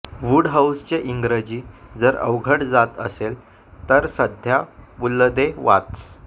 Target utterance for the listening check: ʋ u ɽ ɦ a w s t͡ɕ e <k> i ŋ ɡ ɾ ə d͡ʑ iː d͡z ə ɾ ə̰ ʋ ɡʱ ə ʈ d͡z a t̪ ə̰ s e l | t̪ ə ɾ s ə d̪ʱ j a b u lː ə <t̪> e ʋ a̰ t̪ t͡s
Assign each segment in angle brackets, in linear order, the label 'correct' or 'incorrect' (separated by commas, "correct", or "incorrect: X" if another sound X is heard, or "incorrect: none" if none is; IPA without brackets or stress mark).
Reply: incorrect: ʔ, incorrect: d̪